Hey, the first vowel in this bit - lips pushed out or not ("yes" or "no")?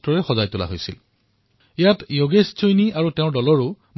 yes